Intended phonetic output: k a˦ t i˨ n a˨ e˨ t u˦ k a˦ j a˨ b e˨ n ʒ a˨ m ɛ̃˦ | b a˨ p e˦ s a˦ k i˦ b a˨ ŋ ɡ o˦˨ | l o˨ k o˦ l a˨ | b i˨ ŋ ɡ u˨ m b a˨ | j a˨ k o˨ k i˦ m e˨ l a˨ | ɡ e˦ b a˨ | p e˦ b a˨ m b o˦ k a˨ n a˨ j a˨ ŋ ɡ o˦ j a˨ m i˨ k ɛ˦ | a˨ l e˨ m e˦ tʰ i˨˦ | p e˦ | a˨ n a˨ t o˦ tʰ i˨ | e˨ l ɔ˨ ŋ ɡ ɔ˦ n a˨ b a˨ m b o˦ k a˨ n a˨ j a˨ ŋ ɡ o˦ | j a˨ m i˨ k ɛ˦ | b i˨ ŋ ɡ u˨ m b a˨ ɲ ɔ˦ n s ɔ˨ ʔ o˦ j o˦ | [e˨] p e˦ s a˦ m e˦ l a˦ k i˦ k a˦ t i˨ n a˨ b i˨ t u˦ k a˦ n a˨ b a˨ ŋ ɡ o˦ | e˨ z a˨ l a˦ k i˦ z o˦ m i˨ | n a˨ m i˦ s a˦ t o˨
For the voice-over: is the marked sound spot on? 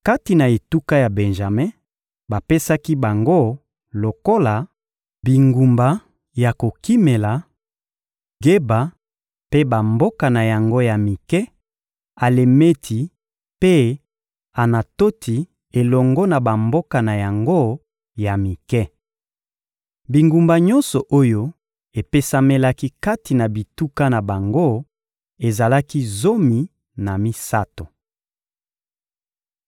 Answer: yes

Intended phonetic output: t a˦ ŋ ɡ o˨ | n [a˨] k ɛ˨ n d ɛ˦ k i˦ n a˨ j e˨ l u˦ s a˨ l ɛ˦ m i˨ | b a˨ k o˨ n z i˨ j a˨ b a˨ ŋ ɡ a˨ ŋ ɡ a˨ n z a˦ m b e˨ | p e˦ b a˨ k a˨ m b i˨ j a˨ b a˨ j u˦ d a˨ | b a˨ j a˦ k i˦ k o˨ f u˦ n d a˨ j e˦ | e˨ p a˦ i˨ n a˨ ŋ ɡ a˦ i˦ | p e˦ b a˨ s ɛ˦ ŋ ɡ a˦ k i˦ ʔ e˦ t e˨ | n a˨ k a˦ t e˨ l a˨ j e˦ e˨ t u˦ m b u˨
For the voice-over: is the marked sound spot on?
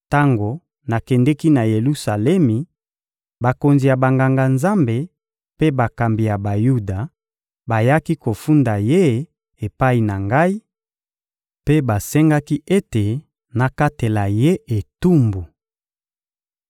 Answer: yes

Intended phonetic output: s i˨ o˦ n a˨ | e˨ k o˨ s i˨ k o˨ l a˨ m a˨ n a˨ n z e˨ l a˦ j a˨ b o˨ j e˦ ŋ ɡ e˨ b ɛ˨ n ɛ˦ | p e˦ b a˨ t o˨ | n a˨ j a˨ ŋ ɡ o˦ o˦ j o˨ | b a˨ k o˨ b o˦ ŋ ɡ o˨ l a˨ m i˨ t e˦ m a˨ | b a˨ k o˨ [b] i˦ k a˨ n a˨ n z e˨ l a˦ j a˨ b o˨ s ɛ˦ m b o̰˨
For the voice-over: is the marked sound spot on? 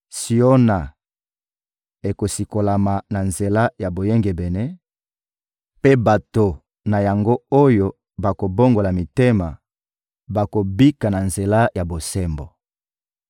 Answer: yes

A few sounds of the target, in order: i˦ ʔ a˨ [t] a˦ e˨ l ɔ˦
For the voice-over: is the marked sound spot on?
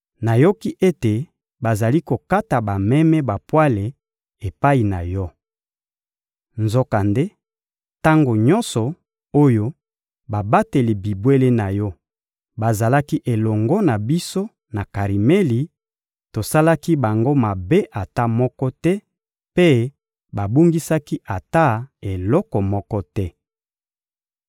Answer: yes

